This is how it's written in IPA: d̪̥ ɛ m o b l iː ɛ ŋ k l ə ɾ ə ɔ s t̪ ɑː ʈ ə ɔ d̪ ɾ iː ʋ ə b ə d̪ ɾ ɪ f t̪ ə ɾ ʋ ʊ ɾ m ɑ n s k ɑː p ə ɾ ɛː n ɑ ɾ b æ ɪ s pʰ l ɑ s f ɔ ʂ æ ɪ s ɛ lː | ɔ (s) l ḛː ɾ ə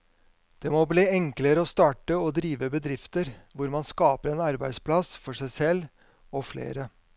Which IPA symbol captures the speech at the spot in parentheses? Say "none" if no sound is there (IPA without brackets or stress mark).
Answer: f